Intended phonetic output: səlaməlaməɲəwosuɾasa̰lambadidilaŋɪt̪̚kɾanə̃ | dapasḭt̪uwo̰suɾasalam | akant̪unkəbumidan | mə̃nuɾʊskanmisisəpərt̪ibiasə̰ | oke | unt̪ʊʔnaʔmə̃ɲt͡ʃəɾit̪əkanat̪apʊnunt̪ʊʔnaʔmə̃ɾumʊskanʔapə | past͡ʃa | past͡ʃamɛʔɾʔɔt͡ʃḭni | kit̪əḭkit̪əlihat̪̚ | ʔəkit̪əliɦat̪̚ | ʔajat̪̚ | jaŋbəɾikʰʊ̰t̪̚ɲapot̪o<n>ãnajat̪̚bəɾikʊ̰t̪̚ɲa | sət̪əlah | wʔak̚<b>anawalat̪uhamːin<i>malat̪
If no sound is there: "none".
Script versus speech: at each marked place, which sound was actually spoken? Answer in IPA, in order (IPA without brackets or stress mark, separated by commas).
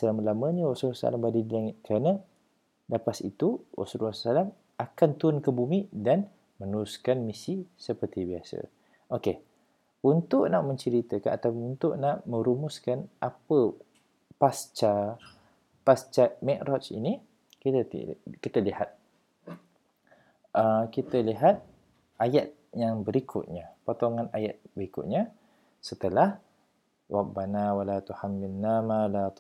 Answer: ŋ, b, a